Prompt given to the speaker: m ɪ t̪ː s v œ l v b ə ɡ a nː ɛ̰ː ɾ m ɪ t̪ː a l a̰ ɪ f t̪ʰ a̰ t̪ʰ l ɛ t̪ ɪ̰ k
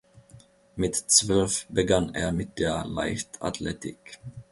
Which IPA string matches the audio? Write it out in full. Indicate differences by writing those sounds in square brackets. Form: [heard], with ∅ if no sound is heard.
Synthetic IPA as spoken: m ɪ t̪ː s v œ l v b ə ɡ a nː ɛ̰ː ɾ m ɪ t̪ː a l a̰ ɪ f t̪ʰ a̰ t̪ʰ l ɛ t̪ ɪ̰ k